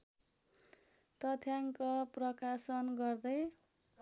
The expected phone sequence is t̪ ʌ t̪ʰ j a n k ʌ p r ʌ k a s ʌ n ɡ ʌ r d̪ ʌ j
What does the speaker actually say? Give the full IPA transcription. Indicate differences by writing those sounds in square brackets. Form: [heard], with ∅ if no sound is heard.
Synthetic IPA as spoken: t̪ ʌ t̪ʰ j a [ŋ] k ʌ p r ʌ k a s ʌ n ɡ ʌ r d̪ ʌ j